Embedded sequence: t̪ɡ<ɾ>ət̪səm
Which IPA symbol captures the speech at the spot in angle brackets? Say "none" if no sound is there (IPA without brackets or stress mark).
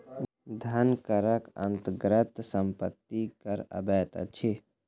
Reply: ɾ